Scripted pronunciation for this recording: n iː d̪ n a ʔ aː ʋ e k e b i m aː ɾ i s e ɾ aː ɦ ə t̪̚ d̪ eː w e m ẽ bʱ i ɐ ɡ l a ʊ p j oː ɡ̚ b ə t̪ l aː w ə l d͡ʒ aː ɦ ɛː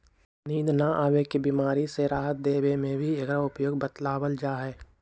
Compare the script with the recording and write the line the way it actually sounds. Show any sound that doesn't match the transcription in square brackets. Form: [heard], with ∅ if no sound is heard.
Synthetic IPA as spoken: n iː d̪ n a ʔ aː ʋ e k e b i m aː ɾ i s e ɾ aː ɦ ə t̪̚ d̪ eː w e m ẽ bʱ i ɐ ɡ [ɾ] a ʊ p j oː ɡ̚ b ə t̪ l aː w ə l d͡ʒ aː ɦ ɛː

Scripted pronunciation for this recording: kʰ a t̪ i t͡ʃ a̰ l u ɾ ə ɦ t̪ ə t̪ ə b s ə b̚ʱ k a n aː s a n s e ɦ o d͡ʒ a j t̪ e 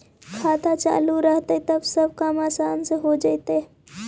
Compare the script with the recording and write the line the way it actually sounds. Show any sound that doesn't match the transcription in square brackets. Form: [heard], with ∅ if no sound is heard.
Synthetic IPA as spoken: kʰ a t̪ [a] t͡ʃ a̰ l u ɾ ə ɦ t̪ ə t̪ ə b s ə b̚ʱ k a [m] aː s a n s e ɦ o d͡ʒ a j t̪ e

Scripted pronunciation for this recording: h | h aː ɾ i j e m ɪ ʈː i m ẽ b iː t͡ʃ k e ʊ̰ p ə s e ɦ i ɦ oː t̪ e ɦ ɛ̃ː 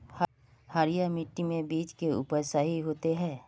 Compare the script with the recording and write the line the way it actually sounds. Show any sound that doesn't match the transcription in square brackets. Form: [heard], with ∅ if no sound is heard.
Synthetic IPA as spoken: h | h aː ɾ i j [a] m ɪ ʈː i m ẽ b iː t͡ʃ k e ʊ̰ p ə s [a] ɦ i ɦ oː t̪ e ɦ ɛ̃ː

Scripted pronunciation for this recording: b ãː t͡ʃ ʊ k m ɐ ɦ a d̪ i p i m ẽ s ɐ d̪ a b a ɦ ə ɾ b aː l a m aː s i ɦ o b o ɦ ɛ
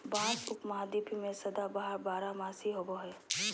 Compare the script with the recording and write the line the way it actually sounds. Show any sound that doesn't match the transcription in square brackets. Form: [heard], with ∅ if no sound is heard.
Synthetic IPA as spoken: b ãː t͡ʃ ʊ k m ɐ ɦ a d̪ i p i m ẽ s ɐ d̪ a b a ɦ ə ɾ b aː [ɾ] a m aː s i ɦ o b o ɦ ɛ

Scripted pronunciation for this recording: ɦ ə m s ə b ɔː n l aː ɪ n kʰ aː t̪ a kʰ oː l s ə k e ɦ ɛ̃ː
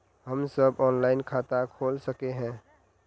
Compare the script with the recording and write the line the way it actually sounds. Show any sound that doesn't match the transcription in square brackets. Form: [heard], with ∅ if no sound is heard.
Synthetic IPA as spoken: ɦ ə m s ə b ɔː n l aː ɪ n kʰ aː t̪ a kʰ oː l s ə k e ɦ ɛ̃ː

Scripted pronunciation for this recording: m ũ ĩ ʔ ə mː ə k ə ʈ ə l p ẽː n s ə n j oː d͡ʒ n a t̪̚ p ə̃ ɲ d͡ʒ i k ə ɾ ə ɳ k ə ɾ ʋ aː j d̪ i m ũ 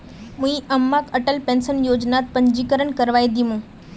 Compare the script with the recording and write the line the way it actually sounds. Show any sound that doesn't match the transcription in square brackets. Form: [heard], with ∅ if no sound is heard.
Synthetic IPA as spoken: m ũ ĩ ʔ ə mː [a] k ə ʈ ə l p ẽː n s ə n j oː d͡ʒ n a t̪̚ p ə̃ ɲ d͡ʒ i k ə ɾ ə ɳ k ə ɾ ʋ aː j d̪ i m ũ

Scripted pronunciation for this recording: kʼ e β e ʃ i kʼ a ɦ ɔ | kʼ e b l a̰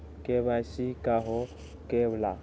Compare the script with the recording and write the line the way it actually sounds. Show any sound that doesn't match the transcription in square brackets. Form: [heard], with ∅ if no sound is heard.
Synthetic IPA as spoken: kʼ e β [a] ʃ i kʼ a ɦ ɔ | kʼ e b l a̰

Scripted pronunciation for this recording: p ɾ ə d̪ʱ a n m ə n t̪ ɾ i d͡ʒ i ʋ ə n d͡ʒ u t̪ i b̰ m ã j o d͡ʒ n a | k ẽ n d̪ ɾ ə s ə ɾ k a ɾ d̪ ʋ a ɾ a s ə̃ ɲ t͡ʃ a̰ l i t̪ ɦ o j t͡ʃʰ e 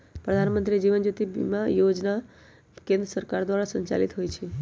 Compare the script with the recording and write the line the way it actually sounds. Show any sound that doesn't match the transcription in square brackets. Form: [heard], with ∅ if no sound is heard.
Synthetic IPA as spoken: p ɾ ə d̪ʱ a n m ə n t̪ ɾ i d͡ʒ i ʋ ə n d͡ʒ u t̪ i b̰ m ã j o d͡ʒ n a | k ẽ n d̪ ɾ ə s ə ɾ k a ɾ d̪ ʋ a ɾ a s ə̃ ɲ t͡ʃ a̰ l i t̪ ɦ o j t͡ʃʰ e

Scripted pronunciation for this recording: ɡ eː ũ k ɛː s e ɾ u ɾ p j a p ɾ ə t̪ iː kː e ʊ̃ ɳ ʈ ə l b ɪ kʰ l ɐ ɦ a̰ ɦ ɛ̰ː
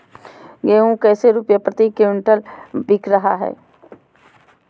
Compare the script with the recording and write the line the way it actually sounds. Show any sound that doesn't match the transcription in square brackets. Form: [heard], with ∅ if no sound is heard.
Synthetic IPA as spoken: ɡ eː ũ k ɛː s e ɾ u [∅] p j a p ɾ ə t̪ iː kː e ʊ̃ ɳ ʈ ə l b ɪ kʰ [ɾ] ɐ ɦ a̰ ɦ ɛ̰ː

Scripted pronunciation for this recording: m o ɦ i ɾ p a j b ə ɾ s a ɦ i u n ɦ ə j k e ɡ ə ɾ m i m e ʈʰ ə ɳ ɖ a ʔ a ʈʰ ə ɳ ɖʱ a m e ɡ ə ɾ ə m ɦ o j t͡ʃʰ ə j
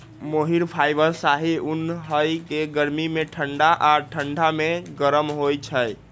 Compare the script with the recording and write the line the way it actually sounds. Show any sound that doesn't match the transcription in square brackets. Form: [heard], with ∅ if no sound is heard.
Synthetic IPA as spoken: m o ɦ i ɾ [pʰ] a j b ə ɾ s a ɦ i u n ɦ ə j k e ɡ ə ɾ m i m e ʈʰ ə ɳ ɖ a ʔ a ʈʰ ə ɳ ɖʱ a m e ɡ ə ɾ ə m ɦ o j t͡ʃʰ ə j

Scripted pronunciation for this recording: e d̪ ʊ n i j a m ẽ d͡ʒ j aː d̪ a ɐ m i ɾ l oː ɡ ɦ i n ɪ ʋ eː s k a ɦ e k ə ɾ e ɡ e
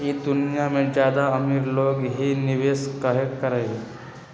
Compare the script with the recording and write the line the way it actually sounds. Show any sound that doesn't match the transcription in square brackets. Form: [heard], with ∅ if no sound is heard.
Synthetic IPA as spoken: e d̪ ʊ n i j a m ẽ d͡ʒ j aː d̪ a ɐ m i ɾ l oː ɡ ɦ i n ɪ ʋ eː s k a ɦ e k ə ɾ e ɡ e

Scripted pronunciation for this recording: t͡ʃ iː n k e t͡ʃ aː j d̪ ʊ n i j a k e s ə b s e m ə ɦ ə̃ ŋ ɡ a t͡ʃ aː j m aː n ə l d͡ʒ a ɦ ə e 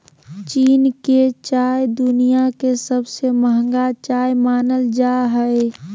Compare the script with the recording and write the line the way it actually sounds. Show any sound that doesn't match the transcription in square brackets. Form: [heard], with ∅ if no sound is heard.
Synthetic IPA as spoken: t͡ʃ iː n k e t͡ʃ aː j d̪ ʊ n i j a k e s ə b s e m ə ɦ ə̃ ŋ ɡ a t͡ʃ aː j m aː n ə l d͡ʒ a ɦ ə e

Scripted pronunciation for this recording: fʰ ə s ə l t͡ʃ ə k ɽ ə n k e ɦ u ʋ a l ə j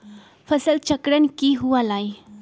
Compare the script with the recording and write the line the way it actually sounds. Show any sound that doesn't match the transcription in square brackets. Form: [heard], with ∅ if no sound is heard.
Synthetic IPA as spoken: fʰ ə s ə l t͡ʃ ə k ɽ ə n k [i] ɦ u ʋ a l [a] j

